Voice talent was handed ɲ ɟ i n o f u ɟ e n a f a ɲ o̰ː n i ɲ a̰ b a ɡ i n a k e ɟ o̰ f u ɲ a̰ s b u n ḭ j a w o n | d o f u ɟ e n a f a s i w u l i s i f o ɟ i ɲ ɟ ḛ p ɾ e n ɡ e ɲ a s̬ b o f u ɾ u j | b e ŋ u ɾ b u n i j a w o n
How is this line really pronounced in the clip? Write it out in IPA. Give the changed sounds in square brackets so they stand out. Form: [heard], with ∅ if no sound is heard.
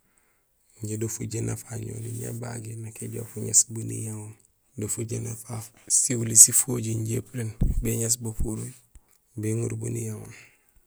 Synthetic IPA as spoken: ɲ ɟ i [d] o f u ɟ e n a f a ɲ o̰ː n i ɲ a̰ b a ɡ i n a k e ɟ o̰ f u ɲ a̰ s b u n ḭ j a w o n | d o f u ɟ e n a f a s i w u l i s i f o ɟ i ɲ ɟ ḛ p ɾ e n [b] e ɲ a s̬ b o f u ɾ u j | b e ŋ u ɾ b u n i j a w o n